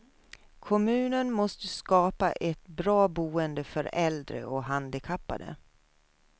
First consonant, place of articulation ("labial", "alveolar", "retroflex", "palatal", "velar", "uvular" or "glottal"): velar